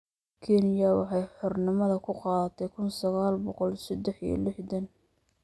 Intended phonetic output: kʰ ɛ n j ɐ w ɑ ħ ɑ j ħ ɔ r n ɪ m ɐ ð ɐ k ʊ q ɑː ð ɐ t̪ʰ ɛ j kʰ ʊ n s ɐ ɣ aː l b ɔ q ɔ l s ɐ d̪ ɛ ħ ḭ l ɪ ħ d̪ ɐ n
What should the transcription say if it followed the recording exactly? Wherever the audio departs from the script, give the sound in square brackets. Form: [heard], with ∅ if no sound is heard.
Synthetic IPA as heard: kʰ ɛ n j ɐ w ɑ ħ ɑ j ħ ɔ r n ɪ m ɐ ð ɐ [kʰ] ʊ q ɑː ð ɐ t̪ʰ ɛ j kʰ ʊ n s ɐ ɣ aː l b ɔ q ɔ l s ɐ d̪ ɛ ħ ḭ l ɪ ħ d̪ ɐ n